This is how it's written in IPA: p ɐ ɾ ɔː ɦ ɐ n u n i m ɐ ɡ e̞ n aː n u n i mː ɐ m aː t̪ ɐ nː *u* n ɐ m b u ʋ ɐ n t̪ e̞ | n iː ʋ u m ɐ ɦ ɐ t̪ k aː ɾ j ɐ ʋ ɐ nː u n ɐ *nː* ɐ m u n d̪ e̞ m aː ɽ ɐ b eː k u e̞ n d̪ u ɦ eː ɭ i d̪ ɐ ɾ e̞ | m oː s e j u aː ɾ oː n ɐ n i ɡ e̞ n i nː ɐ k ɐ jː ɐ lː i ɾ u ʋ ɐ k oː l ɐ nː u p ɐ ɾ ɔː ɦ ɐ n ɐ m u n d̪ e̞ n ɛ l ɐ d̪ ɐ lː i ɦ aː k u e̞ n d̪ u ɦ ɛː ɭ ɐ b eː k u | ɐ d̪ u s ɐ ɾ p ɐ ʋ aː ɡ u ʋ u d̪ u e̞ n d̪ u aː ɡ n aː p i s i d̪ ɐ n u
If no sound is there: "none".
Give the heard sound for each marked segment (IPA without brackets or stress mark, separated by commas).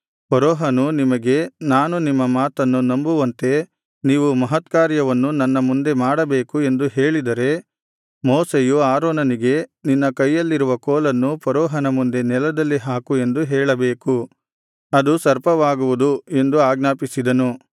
u, nː